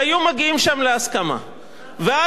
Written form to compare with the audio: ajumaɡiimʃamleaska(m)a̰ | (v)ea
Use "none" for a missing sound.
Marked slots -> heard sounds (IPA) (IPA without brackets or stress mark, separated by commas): m, v